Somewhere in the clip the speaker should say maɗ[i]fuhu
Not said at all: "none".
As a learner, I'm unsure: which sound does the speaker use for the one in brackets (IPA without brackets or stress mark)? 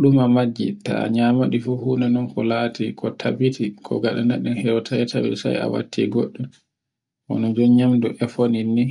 i